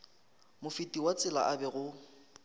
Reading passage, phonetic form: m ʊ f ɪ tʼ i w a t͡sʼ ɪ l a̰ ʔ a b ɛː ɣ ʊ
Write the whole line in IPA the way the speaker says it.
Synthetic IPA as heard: m ʊ f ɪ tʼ i w a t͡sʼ ɪ l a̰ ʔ a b ɛ ɣ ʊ